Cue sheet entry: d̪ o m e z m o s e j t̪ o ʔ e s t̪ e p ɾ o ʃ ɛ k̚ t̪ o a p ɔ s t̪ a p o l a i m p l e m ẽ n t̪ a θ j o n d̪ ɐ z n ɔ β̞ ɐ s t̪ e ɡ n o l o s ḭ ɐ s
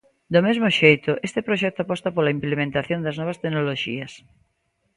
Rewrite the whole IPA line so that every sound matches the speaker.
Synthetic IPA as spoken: d̪ o m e z m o ʃ e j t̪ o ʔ e s t̪ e p ɾ o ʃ ɛ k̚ t̪ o a p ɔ s t̪ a p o l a i m p l e m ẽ n t̪ a θ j o n d̪ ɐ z n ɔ β̞ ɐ s t̪ e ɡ n o l o ʃ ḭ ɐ s